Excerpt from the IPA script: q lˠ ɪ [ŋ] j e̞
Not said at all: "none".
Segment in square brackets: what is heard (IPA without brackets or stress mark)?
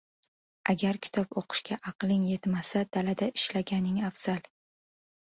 ŋ